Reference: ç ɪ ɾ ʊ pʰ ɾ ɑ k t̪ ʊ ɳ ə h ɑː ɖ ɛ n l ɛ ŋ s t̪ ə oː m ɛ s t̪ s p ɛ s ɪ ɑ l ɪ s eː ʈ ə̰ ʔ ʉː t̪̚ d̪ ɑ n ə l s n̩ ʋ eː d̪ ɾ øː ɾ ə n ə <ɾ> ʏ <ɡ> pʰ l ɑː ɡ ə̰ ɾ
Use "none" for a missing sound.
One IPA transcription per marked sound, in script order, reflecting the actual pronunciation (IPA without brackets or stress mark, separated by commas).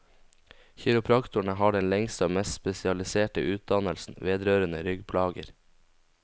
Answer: ɾ, ɡ